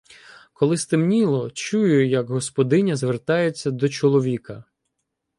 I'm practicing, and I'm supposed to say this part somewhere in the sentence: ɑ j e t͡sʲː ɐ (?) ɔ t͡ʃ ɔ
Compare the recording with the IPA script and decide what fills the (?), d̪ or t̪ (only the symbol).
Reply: d̪